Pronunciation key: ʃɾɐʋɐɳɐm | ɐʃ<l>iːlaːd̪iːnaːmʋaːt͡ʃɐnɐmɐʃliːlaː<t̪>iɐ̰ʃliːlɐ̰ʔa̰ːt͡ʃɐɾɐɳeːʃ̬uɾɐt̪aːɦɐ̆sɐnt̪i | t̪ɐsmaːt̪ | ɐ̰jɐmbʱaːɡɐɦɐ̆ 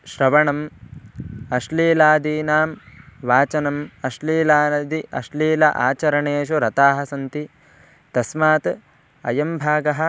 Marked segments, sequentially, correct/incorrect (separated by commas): correct, incorrect